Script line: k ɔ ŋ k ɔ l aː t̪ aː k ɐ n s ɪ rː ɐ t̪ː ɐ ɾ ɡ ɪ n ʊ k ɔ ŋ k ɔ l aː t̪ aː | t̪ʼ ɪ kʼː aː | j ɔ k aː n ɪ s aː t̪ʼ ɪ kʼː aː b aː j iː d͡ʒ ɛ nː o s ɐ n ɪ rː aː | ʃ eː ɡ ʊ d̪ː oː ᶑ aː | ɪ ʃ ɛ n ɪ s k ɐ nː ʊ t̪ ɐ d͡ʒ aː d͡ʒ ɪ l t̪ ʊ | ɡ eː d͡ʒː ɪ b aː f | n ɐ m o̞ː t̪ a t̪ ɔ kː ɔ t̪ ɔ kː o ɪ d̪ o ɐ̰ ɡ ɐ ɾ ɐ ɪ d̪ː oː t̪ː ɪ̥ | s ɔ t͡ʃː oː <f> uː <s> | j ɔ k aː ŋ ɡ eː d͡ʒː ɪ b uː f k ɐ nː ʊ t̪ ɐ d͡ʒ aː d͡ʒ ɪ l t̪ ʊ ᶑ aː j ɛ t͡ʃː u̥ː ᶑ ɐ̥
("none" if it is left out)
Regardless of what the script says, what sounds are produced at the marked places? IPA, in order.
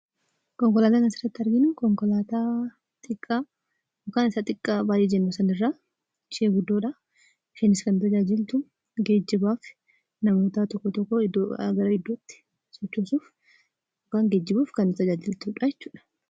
s, f

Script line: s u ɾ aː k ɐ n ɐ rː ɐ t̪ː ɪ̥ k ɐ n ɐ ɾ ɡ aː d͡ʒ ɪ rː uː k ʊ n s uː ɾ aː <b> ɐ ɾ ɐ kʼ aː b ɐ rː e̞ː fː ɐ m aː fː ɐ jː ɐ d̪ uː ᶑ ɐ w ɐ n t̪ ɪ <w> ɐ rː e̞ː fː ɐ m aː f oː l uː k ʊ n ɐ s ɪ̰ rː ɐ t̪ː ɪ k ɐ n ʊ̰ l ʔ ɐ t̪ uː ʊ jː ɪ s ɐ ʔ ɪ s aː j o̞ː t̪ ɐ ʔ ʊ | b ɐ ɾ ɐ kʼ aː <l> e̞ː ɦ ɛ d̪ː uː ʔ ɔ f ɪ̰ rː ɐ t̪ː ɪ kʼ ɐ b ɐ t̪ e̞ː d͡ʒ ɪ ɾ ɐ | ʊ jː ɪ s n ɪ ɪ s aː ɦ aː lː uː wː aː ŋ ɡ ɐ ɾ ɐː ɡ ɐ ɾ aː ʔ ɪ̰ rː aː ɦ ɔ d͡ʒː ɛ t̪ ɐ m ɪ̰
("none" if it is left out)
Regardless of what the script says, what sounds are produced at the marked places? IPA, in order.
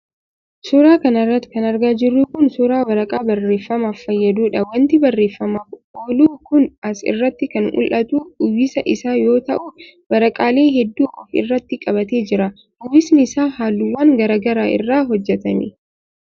w, b, l

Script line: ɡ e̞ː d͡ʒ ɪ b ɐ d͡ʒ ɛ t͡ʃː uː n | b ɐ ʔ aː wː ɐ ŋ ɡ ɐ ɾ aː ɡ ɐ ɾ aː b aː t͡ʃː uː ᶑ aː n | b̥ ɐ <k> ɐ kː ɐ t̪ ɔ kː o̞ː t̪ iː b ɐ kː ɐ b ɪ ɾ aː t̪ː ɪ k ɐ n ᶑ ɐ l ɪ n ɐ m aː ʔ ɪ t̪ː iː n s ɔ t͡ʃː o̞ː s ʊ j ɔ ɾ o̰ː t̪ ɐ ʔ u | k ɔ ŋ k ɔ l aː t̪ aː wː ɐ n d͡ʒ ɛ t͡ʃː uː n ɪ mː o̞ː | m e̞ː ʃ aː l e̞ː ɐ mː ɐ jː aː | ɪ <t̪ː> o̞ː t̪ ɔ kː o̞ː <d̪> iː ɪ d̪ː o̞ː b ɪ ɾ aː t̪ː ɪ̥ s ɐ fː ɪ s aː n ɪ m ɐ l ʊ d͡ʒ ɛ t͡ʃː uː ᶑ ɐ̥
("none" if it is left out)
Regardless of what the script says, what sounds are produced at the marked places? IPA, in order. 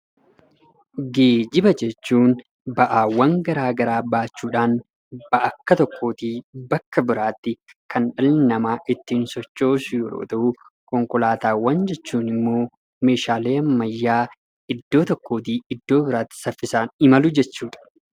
ʔ, d̪ː, t̪

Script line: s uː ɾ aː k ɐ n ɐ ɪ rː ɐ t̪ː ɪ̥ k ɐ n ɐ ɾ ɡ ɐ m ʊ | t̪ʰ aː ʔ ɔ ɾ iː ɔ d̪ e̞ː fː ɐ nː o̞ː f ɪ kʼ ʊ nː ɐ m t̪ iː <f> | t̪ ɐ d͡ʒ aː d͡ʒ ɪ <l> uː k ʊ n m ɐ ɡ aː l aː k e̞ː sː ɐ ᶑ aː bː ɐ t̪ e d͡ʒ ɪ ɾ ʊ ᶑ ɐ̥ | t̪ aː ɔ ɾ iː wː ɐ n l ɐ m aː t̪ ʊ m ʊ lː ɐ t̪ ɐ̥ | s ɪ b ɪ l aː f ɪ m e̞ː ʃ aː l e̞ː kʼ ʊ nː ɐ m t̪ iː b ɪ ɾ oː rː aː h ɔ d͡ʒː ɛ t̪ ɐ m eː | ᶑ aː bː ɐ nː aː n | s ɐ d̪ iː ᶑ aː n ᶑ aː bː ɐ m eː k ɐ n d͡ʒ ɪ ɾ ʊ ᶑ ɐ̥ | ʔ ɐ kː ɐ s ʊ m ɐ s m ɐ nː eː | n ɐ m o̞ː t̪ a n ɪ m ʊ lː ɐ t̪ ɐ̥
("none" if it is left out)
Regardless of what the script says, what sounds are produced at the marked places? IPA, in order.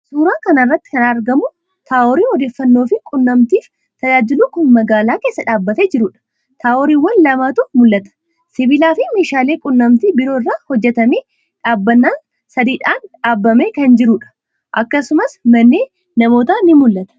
f, l

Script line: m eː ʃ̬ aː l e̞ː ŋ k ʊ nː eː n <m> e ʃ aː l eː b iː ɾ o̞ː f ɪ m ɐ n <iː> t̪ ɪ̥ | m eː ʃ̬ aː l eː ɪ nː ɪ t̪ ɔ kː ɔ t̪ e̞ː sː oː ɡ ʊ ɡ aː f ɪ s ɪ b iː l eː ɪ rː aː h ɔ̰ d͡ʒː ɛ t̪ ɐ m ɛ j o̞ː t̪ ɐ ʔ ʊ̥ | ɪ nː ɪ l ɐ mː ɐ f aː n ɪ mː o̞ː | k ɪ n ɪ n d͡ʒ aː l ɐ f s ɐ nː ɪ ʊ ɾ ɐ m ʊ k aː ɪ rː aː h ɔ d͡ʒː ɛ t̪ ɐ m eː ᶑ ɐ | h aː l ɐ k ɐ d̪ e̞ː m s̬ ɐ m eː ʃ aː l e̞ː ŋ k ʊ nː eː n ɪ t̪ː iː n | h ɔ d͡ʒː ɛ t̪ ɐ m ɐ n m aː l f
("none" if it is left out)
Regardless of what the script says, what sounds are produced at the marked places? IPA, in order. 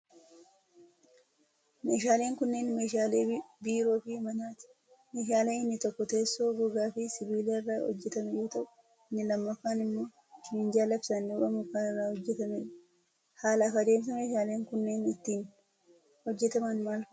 m, aː

